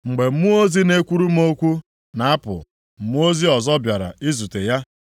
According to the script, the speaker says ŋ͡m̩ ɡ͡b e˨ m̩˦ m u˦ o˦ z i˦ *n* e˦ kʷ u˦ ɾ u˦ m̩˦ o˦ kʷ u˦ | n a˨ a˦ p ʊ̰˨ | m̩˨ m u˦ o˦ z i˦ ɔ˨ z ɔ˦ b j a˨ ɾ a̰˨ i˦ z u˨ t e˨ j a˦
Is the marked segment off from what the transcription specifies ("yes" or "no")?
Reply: no